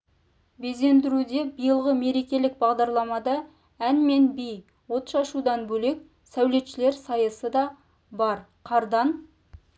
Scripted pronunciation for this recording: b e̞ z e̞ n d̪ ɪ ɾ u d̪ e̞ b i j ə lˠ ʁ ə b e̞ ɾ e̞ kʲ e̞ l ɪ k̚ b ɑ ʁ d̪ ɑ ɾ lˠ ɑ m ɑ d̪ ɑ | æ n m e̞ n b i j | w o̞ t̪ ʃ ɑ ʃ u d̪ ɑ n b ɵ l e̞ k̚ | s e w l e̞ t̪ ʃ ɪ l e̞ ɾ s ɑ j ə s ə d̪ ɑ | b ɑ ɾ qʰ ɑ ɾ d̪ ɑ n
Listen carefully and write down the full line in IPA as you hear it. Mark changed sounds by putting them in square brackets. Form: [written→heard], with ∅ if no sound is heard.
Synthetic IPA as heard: b e̞ z e̞ n d̪ ɪ ɾ u d̪ e̞ b i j ə lˠ ʁ ə [b→m] e̞ ɾ e̞ kʲ e̞ l ɪ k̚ b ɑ ʁ d̪ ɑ ɾ lˠ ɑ m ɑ d̪ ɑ | æ n m e̞ n b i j | w o̞ t̪ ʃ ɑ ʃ u d̪ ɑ n b ɵ l e̞ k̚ | s [e→æ] w l e̞ t̪ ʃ ɪ l e̞ ɾ s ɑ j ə s ə d̪ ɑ | b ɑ ɾ qʰ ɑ ɾ d̪ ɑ n

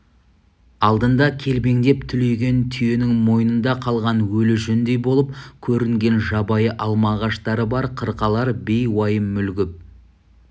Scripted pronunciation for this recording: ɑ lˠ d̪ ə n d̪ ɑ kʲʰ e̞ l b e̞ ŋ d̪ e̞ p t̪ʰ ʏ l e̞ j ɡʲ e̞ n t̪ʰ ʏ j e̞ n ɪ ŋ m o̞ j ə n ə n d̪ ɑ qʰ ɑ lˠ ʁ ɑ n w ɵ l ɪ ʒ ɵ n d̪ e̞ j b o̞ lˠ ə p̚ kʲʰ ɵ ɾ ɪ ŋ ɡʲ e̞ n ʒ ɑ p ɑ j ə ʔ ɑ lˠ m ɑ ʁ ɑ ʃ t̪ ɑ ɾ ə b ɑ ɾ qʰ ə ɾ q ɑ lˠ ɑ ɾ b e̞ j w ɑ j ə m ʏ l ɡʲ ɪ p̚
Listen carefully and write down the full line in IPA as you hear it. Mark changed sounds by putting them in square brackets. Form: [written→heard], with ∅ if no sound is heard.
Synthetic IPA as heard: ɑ lˠ d̪ ə n d̪ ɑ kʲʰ e̞ l b e̞ ŋ d̪ e̞ p t̪ʰ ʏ l e̞ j ɡʲ e̞ n t̪ʰ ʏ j e̞ n ɪ ŋ m o̞ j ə n ə n d̪ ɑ qʰ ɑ lˠ ʁ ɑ n w ɵ l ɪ ʒ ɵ n d̪ e̞ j b o̞ lˠ ə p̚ kʲʰ ɵ ɾ ɪ ŋ ɡʲ e̞ n ʒ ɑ [p→b] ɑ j ə ʔ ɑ lˠ m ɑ ʁ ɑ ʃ t̪ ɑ ɾ ə b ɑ ɾ qʰ ə ɾ q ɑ lˠ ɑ ɾ b e̞ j w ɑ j ə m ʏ l ɡʲ ɪ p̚

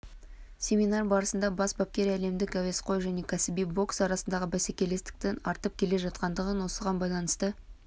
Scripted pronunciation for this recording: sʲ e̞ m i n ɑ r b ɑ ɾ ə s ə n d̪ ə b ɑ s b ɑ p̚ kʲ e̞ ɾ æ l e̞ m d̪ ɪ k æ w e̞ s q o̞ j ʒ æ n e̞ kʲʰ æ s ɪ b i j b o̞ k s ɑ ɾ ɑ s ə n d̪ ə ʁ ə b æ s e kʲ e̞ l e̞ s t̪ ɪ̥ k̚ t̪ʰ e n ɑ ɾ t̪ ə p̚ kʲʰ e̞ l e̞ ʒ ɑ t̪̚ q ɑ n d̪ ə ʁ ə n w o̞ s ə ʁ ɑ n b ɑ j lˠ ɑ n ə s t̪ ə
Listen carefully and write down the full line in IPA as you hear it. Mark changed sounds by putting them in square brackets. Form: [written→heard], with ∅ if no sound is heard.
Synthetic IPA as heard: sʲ e̞ m i n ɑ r b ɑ ɾ ə s ə n d̪ [ə→ɑ] b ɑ s b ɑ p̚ kʲ e̞ ɾ æ l e̞ m d̪ ɪ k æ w e̞ s q o̞ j ʒ æ n e̞ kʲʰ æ s ɪ b i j b o̞ k s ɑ ɾ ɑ s ə n d̪ [ə→ɑ] ʁ ə b æ s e kʲ e̞ l e̞ s t̪ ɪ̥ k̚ [t̪ʰ→t̪] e n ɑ ɾ t̪ ə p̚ kʲʰ e̞ l e̞ ʒ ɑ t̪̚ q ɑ n d̪ ə ʁ ə n w o̞ s ə ʁ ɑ n b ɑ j lˠ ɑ n ə s t̪ ə

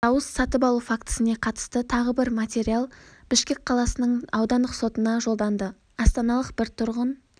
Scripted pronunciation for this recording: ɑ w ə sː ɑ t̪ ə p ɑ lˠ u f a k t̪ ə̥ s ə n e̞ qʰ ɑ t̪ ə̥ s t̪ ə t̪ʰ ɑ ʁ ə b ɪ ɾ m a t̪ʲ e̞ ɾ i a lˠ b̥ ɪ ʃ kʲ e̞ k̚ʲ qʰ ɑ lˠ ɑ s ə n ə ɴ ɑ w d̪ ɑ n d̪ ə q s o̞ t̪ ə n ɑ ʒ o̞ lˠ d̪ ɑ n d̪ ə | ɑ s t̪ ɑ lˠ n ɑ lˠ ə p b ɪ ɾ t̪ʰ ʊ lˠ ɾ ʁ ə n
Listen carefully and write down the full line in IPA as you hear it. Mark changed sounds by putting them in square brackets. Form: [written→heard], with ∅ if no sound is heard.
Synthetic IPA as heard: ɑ w ə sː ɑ t̪ ə p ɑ lˠ u f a k t̪ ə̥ s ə n e̞ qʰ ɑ t̪ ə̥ s t̪ ə t̪ʰ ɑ ʁ ə b ɪ ɾ m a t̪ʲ e̞ ɾ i a lˠ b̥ ɪ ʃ kʲ e̞ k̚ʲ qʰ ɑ lˠ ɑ s ə n ə ɴ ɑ w d̪ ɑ n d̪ ə q s o̞ t̪ ə n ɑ ʒ o̞ lˠ d̪ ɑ n d̪ ə | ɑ s t̪ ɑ [lˠ→∅] n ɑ lˠ ə [p→q] b ɪ ɾ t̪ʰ ʊ [lˠ→∅] ɾ ʁ ə n

